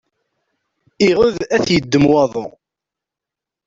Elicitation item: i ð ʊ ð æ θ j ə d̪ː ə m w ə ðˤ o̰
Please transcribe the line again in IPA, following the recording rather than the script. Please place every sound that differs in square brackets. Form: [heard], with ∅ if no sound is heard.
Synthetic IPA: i [ʁ] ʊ ð æ θ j ə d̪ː ə m w [ɑ] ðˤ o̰